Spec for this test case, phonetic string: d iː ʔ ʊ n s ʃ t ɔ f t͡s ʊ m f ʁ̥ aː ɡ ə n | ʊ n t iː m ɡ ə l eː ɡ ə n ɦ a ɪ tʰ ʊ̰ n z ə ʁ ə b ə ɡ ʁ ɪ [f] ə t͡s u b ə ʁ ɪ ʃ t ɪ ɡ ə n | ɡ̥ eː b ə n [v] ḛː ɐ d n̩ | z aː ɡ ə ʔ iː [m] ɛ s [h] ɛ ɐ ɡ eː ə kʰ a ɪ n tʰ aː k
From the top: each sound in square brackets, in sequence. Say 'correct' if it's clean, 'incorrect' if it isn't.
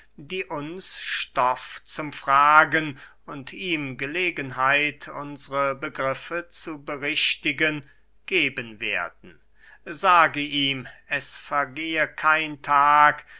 correct, correct, correct, incorrect: f

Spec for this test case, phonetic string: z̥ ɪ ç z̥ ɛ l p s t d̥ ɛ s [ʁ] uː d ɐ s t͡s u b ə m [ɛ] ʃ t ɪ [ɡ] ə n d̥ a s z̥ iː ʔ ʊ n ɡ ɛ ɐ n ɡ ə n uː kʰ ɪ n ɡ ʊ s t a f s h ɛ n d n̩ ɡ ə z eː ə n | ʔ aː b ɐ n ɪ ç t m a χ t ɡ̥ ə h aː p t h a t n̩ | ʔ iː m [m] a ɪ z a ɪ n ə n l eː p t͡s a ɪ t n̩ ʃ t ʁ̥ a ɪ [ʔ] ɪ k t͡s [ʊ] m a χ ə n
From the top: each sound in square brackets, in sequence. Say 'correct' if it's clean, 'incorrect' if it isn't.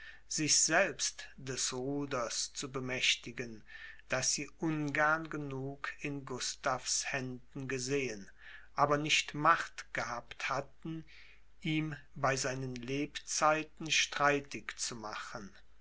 correct, correct, correct, incorrect: b, incorrect: t, incorrect: u

